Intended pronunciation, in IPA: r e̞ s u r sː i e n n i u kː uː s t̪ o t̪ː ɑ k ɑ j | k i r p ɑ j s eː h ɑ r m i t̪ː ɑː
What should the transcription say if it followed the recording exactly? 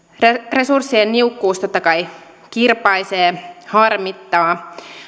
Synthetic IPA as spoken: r e̞ s u r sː i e n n i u kː uː s t̪ o t̪ː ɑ k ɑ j | k i r p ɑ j s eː h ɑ r m i t̪ː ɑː